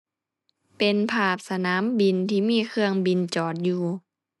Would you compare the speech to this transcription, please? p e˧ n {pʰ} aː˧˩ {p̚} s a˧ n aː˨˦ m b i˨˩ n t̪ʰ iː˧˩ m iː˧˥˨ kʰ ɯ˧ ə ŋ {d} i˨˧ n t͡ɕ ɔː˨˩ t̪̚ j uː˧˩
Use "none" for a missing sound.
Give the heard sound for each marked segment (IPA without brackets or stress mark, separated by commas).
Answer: pʰ, p̚, b